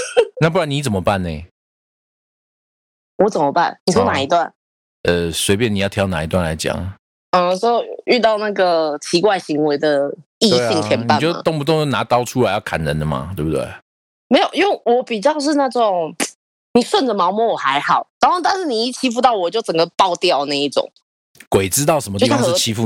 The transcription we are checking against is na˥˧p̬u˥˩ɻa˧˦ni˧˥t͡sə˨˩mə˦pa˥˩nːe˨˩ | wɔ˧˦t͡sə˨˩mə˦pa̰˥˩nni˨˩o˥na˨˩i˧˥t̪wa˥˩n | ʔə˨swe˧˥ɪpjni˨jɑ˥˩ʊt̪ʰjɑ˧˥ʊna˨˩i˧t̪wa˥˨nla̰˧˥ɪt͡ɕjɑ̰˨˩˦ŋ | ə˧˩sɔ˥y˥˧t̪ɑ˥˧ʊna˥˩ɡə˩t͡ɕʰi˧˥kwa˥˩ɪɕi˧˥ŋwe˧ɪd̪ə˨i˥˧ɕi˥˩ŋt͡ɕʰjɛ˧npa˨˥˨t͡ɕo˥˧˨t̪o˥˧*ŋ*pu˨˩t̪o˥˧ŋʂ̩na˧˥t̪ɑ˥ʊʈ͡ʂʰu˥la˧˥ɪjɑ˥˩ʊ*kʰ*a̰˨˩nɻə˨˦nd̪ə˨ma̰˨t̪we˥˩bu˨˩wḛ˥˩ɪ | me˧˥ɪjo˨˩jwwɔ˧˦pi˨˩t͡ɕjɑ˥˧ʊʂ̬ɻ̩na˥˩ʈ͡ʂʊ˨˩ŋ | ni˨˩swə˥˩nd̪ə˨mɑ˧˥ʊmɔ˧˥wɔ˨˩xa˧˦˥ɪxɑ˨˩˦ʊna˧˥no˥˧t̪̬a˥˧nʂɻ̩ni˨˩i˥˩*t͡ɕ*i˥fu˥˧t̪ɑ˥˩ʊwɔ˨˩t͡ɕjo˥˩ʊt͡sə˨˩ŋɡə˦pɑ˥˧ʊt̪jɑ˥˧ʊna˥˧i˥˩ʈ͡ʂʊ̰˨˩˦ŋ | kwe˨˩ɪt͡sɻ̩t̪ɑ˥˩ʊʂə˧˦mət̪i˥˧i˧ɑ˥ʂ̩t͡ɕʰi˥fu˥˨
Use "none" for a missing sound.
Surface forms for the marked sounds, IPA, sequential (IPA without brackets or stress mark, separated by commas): ŋ, kʰ, t͡ɕʰ